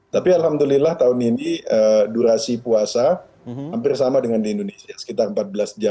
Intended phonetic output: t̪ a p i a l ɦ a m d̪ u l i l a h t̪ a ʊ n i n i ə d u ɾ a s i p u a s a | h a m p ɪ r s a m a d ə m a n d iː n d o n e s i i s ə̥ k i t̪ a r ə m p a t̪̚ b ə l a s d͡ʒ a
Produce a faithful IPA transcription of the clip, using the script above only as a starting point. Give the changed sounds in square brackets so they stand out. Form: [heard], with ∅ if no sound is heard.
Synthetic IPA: t̪ a p i a l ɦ a m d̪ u l i l a h t̪ a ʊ n i n i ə d u ɾ a s i p u a s a | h a m p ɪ r s a m a d ə [ŋ] a n d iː n d o n e s i [a] s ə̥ k i t̪ a r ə m p a t̪̚ b ə l a s d͡ʒ a